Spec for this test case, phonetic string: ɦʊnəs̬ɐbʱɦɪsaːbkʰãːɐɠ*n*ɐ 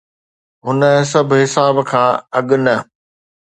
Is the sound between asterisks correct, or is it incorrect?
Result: correct